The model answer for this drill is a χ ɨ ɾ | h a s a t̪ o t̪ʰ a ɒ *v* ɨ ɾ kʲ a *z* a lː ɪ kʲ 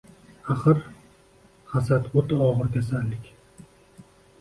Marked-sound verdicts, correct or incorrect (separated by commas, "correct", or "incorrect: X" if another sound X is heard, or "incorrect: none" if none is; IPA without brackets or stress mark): incorrect: ʁ, incorrect: s